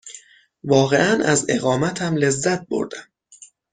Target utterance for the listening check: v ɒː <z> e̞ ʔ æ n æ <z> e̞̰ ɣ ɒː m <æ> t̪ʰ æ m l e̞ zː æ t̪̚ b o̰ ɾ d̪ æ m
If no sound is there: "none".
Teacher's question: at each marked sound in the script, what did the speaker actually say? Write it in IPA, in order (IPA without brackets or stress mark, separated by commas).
ɣ, z, æ